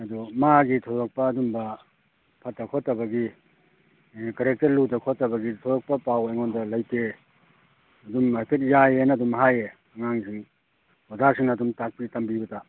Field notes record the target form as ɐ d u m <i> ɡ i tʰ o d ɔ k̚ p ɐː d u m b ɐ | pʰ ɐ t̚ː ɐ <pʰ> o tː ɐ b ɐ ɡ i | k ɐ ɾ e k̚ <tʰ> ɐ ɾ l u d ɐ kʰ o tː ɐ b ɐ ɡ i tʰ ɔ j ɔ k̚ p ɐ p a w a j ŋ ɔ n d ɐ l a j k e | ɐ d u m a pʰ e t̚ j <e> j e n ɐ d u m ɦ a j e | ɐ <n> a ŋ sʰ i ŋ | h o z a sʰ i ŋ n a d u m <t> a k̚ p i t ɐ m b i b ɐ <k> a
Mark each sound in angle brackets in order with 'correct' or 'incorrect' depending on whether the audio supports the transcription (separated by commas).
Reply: incorrect, incorrect, incorrect, incorrect, incorrect, correct, incorrect